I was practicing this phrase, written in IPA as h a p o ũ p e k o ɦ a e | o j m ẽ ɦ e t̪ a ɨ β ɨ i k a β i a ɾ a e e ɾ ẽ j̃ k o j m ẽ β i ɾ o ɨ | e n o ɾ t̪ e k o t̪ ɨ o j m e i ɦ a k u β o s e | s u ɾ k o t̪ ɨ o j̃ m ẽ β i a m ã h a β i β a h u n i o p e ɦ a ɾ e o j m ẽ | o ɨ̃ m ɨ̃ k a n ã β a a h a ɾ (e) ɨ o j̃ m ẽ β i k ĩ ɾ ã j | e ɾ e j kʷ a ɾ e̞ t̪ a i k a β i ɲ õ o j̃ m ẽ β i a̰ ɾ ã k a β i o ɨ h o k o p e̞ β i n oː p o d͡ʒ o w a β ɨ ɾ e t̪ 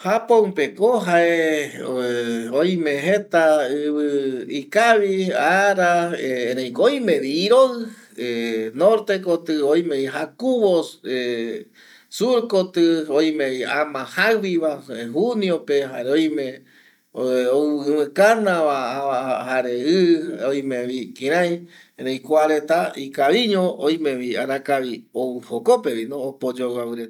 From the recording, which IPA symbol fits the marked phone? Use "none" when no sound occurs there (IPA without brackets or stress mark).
e